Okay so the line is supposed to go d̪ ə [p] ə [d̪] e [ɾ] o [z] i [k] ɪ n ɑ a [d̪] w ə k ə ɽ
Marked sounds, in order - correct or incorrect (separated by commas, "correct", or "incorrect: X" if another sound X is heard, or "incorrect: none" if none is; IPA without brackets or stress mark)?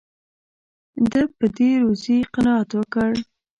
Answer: correct, correct, correct, correct, incorrect: q, incorrect: t̪